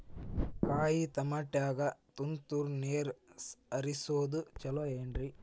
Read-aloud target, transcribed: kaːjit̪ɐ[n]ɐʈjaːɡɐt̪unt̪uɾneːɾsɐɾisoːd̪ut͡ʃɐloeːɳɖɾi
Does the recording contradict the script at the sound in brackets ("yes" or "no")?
yes